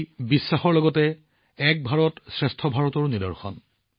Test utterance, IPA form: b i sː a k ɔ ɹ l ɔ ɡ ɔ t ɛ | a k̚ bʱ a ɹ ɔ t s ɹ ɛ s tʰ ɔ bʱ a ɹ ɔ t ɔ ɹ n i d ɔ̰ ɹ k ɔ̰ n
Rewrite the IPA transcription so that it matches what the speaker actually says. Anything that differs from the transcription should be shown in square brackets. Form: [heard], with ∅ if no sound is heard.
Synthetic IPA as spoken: b i sː a [x] ɔ ɹ l ɔ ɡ ɔ t ɛ | [ɛ] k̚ bʱ a ɹ ɔ t s ɹ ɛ s tʰ ɔ bʱ a ɹ ɔ t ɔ ɹ n i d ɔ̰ ɹ [x] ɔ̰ n

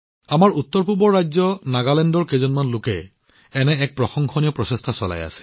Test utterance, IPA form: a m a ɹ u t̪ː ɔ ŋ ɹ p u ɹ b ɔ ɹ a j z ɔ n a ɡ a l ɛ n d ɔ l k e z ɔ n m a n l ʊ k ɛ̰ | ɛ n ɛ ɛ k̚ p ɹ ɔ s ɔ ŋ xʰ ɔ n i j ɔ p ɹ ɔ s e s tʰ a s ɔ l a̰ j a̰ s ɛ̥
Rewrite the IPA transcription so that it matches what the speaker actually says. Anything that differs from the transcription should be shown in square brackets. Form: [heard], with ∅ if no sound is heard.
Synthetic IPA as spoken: a m a ɹ u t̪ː ɔ [∅] ɹ p u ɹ b ɔ ɹ a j z ɔ n a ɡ a l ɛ n d ɔ [ɹ] k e z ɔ n m a n l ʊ k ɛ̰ | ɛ n ɛ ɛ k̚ p ɹ ɔ [x] ɔ ŋ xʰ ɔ n i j ɔ p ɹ ɔ s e s tʰ a s ɔ l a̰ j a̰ s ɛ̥

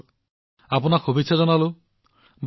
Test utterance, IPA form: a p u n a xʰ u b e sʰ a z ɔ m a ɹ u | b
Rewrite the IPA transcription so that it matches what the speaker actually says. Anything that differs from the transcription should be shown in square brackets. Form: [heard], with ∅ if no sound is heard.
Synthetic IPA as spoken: a p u n a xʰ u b [i] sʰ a z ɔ [n] a [l] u | b

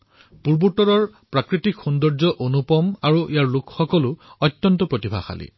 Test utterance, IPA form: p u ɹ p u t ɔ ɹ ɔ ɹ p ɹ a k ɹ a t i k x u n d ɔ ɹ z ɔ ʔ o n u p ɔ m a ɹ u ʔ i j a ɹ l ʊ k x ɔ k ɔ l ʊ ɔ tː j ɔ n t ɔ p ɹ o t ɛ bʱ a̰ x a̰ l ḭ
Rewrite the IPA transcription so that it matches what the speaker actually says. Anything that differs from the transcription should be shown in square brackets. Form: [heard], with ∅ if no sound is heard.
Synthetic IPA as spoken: p u ɹ [b] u t ɔ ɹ ɔ ɹ p ɹ a k ɹ [i] t i k x u n d ɔ ɹ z ɔ ʔ o n u p ɔ m a ɹ u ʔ i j a ɹ l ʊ k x ɔ k ɔ l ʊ ɔ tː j ɔ n t ɔ p ɹ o t [i] bʱ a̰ x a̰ l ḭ

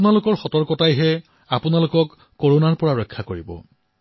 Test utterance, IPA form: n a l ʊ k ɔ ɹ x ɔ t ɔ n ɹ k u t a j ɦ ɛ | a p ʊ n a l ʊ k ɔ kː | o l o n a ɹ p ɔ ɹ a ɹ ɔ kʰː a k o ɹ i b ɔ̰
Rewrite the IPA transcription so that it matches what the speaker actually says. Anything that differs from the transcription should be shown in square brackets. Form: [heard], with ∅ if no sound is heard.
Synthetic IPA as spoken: n a l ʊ k ɔ ɹ x ɔ t ɔ [∅] ɹ k [ɔ] t a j ɦ ɛ | a p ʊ n a l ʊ k ɔ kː | o [ɹ] o n a ɹ p ɔ ɹ a ɹ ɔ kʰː a k o ɹ i b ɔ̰

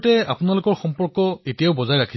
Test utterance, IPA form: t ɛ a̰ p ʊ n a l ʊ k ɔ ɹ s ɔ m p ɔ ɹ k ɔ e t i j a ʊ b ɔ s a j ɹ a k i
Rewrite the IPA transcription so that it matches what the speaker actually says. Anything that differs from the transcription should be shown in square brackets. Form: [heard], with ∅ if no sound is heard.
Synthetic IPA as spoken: t ɛ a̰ p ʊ n a l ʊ k ɔ ɹ [x] ɔ m p ɔ ɹ k ɔ e t i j a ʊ b ɔ [z] a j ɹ a [kʰ] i

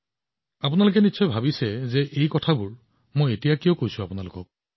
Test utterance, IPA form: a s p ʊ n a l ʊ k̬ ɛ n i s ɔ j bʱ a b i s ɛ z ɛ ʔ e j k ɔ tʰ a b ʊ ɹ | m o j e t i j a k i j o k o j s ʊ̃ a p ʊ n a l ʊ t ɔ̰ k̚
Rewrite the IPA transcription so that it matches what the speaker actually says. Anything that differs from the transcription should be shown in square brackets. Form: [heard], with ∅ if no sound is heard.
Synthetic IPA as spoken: a [∅] p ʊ n a l ʊ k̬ ɛ n i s ɔ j bʱ a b i s ɛ z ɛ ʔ e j k ɔ tʰ a b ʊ ɹ | m o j e t i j a k i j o k o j s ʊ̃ a p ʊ n a l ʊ [k] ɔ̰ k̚

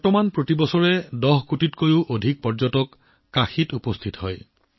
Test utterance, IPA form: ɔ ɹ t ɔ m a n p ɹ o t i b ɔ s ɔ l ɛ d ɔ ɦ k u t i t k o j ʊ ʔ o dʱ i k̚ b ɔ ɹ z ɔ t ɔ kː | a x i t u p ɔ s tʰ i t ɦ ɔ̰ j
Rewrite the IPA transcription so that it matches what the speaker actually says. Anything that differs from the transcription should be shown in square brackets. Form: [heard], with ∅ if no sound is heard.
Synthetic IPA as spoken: ɔ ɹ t ɔ m a n p ɹ o t i b ɔ s ɔ [ɹ] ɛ d ɔ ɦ k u t i t k o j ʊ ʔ o dʱ i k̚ [p] ɔ ɹ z ɔ t ɔ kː | a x i t u p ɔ s tʰ i t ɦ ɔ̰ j

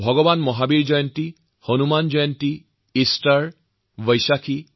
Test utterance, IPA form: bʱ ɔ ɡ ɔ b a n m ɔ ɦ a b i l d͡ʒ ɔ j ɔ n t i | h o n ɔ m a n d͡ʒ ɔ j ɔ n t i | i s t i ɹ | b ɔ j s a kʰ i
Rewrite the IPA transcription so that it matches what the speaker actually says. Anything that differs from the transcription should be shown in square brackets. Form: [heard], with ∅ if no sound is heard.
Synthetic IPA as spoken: bʱ ɔ ɡ ɔ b a n m ɔ ɦ a b i [ɹ] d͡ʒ ɔ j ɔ n t i | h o n [u] m a n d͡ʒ ɔ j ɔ n t i | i s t [a] ɹ | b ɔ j s a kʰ i

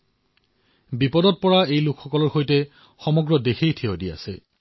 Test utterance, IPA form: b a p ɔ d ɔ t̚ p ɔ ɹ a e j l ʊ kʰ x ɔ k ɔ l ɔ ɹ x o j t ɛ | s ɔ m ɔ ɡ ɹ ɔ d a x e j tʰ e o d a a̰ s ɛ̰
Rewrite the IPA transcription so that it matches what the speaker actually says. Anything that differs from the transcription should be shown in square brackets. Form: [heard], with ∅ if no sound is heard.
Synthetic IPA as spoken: b [i] p ɔ d ɔ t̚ p ɔ ɹ a e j l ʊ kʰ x ɔ k ɔ l ɔ ɹ x o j t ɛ | [x] ɔ m ɔ ɡ ɹ ɔ d [e] x e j tʰ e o d [i] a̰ s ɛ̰

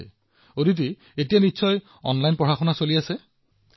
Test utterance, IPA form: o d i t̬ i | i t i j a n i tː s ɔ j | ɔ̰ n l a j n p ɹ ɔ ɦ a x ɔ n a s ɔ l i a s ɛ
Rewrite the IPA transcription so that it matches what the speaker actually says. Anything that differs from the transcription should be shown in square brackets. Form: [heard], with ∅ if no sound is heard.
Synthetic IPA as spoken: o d i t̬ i | [e] t i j a n i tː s ɔ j | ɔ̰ n l a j n p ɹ ɔ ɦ a x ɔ n a s [o] l i a s ɛ

